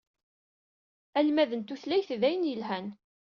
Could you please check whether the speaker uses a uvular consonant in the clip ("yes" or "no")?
no